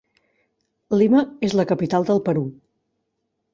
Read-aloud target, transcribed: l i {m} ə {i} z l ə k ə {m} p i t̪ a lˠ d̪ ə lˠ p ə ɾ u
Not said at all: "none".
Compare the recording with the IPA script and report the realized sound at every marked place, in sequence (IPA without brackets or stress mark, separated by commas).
m, e, none